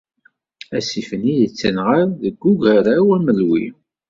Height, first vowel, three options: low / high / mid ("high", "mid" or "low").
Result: low